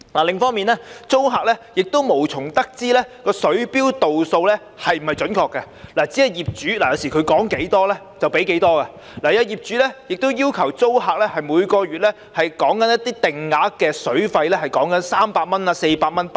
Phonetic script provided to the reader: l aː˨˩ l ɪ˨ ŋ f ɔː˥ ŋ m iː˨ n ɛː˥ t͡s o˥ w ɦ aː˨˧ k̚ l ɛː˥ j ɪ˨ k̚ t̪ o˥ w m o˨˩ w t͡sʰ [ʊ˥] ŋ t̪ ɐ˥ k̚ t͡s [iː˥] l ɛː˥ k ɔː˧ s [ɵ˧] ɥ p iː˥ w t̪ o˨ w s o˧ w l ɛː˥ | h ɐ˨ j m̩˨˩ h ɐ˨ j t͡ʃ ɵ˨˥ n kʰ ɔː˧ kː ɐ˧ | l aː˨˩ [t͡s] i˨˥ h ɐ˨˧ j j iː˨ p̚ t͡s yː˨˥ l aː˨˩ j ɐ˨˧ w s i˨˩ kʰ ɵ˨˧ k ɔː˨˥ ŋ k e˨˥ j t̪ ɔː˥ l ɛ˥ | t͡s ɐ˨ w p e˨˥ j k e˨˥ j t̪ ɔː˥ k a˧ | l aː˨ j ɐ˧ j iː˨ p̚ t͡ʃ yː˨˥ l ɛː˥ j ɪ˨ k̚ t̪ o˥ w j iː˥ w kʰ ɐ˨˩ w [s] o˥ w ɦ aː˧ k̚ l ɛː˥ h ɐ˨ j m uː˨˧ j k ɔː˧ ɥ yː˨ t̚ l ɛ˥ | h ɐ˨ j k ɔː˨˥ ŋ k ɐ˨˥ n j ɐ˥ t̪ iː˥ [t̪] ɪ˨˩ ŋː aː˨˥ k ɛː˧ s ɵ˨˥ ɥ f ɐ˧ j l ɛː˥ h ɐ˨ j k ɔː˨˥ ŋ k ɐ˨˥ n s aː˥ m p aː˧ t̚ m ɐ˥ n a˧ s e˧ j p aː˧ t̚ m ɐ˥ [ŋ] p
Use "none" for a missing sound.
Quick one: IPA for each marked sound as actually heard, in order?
ʊ˨˩, iː˥, ɵ˨˥, t͡s, t͡s, t̪, n

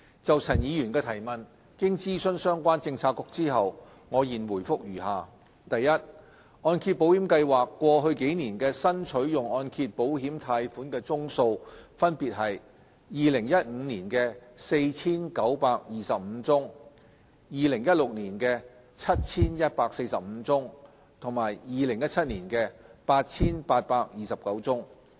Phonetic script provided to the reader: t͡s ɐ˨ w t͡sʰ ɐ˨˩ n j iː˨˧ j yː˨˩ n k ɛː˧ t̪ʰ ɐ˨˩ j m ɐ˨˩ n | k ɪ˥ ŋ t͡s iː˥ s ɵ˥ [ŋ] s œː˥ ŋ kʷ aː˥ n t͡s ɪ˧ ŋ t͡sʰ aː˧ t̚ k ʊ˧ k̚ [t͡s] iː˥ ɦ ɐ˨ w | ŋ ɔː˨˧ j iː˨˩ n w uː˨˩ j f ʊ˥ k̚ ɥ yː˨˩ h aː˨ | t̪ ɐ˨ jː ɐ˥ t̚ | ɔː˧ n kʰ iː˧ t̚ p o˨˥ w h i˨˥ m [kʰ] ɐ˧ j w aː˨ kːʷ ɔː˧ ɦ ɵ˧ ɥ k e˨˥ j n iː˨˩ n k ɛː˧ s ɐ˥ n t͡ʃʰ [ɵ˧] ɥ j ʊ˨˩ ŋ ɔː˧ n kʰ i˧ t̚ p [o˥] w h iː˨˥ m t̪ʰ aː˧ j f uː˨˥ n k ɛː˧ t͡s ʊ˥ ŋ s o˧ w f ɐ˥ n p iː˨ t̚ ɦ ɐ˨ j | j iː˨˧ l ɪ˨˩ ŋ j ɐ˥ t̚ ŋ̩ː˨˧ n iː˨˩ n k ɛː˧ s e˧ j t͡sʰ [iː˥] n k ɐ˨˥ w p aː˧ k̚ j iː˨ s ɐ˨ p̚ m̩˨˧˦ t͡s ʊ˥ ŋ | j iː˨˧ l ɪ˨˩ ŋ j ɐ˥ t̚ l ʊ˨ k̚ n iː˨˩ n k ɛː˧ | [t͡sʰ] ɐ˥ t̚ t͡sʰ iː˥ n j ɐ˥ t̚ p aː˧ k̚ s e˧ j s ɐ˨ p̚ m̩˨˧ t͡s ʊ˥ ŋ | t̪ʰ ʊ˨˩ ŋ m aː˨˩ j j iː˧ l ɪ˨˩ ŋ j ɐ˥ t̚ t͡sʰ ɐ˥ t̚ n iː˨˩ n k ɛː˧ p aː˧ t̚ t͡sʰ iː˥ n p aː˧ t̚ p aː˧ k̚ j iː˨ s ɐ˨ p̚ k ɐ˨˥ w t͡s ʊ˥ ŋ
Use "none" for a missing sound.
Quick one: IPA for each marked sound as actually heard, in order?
n, t͡s, k, ɵ˨˥, o˨˥, iː˥, t͡sʰ

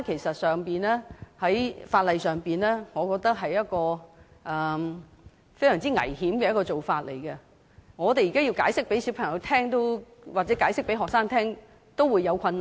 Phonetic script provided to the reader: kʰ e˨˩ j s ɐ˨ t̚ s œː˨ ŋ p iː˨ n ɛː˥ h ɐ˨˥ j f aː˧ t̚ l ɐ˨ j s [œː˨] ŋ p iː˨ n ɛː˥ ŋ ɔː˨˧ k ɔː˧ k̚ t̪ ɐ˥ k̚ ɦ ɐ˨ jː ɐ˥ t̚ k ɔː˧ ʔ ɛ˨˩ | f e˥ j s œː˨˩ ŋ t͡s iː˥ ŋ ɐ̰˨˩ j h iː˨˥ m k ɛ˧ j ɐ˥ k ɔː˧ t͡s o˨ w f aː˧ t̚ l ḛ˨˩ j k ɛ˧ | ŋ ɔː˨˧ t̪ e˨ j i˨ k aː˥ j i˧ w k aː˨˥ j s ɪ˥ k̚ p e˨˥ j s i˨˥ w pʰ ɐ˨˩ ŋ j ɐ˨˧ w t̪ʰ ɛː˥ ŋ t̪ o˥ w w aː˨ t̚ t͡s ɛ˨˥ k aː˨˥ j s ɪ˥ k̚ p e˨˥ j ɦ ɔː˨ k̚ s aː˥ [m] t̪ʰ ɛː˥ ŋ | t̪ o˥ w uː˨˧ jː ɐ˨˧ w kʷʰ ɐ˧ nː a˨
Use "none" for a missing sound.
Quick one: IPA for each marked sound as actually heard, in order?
œː˨, ŋ

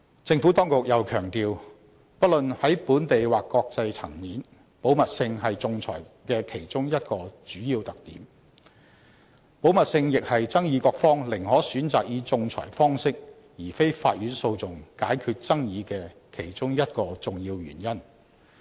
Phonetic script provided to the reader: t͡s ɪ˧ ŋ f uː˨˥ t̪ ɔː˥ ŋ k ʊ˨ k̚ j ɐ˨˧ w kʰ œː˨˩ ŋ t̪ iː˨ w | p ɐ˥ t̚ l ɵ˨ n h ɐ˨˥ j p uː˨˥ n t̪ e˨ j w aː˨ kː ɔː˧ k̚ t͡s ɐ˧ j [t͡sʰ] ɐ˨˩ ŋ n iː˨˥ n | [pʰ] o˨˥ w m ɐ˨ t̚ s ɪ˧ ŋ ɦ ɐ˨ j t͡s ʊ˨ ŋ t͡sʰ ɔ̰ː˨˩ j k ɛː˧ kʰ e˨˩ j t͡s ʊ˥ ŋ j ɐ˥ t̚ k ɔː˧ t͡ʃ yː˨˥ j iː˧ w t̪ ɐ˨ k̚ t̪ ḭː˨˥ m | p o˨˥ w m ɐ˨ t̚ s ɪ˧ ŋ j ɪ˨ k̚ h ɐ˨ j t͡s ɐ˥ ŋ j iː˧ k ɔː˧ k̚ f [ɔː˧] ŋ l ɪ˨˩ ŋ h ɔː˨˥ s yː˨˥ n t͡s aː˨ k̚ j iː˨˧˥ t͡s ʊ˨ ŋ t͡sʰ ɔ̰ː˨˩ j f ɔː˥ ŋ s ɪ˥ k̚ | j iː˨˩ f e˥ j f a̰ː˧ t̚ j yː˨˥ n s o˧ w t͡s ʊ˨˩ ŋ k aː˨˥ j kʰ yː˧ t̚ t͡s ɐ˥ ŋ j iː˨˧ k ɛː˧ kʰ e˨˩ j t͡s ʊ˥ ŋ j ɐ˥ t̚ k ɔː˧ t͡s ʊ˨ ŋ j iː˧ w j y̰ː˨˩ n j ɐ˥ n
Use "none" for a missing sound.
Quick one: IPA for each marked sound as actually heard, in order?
t͡sʰ, p, ɔː˥

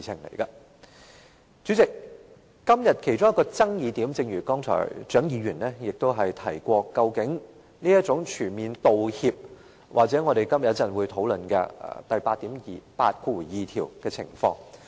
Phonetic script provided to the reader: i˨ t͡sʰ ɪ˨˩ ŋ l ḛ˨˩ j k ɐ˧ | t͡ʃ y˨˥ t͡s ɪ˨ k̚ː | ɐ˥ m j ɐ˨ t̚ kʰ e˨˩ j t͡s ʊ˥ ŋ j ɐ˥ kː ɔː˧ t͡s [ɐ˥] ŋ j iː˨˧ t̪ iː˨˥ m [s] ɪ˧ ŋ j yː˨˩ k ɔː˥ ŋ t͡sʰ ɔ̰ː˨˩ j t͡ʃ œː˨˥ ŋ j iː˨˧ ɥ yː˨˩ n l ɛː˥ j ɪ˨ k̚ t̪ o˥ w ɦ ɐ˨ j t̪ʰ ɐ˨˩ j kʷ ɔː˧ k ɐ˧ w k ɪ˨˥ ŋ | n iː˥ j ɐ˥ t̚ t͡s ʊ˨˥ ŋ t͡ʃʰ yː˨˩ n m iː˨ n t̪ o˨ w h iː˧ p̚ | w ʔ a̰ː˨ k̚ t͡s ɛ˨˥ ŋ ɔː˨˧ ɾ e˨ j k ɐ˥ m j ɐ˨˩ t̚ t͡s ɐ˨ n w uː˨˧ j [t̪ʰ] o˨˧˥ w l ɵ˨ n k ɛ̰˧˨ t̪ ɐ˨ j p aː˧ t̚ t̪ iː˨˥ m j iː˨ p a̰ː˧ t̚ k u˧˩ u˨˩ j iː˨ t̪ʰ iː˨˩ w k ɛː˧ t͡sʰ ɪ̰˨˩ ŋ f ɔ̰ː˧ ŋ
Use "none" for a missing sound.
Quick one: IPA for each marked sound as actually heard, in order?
ɐ˥, t͡s, t̪ʰ

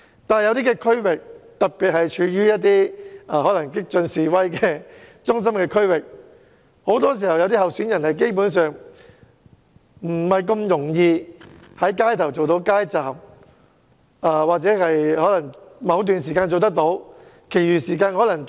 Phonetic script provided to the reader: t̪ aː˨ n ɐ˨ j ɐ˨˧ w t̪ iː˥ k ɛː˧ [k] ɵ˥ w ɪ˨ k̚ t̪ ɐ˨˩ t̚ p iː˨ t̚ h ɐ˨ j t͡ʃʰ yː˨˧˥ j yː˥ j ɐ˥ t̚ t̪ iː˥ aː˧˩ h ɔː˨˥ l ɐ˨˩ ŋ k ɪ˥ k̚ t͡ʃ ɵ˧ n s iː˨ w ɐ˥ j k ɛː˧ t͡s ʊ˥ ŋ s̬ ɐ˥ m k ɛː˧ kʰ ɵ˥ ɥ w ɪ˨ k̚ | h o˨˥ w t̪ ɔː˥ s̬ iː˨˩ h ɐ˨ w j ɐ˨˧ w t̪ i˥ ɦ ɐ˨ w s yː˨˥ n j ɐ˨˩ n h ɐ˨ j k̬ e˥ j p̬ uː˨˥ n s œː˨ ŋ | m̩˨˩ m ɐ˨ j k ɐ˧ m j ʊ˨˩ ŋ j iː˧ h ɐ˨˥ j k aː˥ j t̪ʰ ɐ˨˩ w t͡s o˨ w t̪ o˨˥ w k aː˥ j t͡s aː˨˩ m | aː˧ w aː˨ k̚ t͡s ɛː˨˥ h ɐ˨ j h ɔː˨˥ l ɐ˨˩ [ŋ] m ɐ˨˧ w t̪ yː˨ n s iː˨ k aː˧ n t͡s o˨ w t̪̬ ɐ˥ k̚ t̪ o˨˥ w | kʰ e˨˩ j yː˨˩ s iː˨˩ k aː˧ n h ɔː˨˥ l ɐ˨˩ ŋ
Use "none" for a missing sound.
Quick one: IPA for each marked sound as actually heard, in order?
kʰ, ŋ

